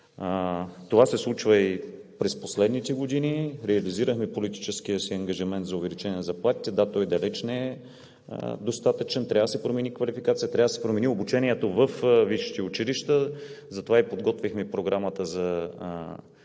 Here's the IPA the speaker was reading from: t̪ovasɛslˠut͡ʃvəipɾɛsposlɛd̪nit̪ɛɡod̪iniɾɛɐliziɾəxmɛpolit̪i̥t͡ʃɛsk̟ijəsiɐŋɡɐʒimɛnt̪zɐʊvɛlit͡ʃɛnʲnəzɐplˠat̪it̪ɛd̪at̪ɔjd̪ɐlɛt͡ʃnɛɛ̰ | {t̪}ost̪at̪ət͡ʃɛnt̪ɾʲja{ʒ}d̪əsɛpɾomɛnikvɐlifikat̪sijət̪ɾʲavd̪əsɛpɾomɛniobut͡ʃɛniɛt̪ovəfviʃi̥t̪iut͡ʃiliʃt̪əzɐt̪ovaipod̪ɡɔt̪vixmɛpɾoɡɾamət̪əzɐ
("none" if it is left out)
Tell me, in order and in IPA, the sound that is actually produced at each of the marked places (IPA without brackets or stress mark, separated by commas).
d̪, v